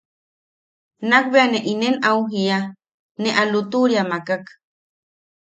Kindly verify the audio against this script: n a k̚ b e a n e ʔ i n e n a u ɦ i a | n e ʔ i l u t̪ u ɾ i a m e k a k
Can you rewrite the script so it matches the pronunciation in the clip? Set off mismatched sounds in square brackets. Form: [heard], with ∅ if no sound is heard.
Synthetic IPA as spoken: n a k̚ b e a n e ʔ i n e n a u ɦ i a | n e ʔ [a] l u t̪ u ɾ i a m [a] k a k